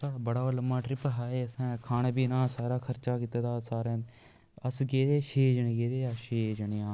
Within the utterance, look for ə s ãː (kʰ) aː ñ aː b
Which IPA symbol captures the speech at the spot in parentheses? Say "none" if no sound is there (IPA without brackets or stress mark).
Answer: kʰ